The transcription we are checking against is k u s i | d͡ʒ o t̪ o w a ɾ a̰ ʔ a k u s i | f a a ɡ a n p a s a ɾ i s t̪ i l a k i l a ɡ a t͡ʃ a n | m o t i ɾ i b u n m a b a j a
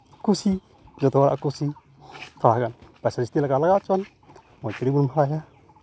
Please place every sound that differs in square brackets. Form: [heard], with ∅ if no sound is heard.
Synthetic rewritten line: k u s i | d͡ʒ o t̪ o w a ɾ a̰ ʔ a k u s i | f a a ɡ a n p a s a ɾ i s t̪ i l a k [a] l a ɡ a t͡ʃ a n | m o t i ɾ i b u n m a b a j a